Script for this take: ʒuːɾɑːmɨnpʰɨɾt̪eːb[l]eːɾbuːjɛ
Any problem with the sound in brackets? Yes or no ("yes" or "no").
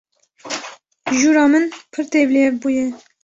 no